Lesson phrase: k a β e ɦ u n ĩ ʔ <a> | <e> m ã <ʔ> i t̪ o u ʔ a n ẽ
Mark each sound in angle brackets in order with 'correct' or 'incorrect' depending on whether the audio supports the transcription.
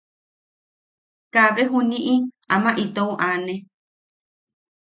incorrect, incorrect, correct

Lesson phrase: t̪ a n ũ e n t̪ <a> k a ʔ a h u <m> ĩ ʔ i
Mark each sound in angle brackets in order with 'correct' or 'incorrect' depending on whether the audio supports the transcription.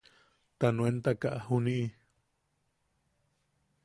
correct, incorrect

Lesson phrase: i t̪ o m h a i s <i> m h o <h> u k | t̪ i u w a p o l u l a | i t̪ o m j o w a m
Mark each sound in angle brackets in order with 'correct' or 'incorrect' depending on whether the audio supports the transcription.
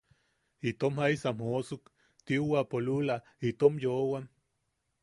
incorrect, incorrect

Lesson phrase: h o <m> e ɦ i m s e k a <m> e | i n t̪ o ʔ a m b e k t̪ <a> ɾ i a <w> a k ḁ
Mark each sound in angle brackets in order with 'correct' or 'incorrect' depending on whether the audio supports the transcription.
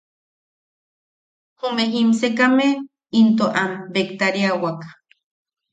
correct, correct, correct, correct

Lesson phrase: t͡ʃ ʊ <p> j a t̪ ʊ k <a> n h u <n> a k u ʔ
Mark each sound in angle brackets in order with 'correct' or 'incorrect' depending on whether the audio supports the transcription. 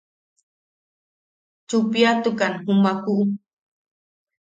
correct, correct, incorrect

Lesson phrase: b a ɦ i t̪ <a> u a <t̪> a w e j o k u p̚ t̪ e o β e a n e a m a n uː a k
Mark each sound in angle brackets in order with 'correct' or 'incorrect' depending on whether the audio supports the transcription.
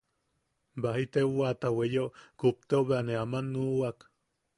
incorrect, correct

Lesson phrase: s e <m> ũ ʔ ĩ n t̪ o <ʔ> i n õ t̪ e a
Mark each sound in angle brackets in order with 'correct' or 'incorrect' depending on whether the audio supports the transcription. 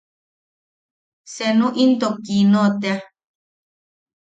incorrect, incorrect

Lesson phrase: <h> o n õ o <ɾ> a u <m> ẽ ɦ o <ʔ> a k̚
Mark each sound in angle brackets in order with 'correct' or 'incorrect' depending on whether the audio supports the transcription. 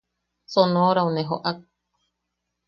incorrect, correct, incorrect, correct

